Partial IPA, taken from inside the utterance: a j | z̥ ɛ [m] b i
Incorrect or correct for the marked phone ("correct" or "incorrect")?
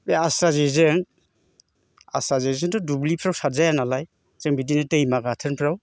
incorrect